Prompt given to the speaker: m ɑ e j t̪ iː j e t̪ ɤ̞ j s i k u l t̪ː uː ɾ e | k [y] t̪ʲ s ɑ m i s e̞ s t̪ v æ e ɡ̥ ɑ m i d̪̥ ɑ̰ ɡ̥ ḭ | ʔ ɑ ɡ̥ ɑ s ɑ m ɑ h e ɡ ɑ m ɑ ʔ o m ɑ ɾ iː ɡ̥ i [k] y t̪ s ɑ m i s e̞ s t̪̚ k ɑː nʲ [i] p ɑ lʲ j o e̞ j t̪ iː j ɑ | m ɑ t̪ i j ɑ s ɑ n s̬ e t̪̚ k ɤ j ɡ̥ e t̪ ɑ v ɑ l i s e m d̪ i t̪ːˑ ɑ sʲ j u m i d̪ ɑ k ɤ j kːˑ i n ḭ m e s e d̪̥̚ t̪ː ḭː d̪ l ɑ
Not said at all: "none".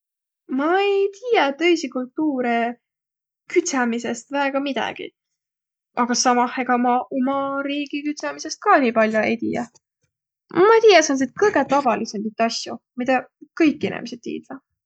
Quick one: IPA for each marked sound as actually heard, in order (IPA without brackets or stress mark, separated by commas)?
y, k, iː